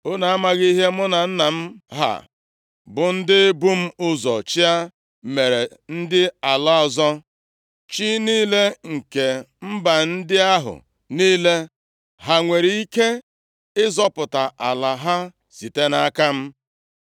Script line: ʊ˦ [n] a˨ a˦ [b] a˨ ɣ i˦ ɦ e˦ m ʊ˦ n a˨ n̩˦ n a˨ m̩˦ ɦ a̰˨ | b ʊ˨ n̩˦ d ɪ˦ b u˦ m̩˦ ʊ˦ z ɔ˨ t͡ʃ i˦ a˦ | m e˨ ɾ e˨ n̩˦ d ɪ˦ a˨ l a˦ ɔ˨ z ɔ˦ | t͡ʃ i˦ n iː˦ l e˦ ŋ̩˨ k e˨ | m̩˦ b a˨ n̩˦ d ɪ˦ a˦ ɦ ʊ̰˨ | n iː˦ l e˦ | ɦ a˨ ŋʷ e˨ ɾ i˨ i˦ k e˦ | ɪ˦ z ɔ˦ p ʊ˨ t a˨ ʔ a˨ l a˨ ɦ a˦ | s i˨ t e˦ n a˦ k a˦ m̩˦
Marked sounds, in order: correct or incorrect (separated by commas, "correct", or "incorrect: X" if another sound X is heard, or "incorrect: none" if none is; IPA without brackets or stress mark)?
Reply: correct, incorrect: m